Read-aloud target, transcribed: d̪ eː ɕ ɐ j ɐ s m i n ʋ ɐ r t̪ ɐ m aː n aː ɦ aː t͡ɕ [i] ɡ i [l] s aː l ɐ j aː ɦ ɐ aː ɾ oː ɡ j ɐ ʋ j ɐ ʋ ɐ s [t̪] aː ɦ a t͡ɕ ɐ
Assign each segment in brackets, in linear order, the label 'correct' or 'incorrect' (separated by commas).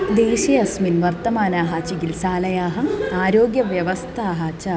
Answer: correct, correct, incorrect